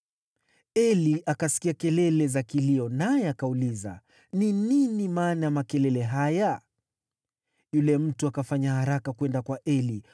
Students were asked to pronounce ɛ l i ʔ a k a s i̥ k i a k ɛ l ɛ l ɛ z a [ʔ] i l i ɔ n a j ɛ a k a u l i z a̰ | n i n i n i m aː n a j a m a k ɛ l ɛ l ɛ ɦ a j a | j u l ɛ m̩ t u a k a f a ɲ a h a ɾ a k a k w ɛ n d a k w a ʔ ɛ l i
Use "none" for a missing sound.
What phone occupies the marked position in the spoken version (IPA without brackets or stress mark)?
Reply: k